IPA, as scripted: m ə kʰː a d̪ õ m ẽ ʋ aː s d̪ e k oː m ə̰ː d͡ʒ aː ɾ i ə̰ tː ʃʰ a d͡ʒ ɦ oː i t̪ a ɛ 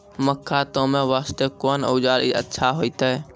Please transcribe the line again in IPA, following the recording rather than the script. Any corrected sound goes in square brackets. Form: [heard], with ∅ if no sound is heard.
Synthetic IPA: m ə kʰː a [t̪] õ m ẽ ʋ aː s [t̪] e k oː [n] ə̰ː d͡ʒ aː ɾ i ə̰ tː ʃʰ a [∅] ɦ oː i t̪ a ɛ